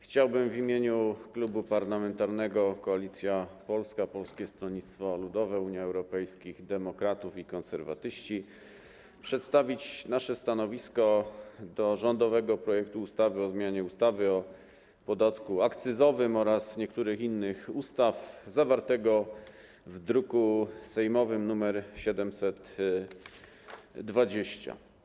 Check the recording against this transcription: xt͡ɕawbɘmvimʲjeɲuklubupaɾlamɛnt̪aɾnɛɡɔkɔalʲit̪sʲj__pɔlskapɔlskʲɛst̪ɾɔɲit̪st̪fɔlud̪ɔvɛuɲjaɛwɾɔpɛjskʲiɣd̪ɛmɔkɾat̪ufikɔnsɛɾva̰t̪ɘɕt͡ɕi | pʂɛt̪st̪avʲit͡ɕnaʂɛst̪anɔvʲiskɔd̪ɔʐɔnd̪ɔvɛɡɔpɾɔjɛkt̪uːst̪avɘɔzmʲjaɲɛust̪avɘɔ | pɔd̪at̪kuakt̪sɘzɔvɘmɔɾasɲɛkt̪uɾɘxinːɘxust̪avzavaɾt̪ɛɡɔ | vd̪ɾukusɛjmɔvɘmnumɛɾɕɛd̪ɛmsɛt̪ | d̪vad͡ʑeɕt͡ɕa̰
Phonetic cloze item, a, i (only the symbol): a